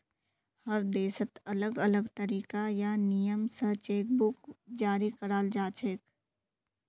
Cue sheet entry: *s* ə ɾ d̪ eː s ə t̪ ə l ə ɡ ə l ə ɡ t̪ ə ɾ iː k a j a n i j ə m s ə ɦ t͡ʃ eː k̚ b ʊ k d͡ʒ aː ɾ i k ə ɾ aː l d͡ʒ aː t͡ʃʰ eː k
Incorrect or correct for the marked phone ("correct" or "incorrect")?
incorrect